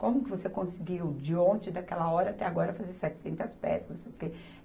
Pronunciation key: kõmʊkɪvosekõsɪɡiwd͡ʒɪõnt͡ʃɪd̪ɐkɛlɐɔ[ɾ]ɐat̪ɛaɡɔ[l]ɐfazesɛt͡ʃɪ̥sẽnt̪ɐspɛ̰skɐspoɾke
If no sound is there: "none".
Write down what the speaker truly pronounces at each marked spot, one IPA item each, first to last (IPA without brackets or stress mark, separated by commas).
ɾ, ɾ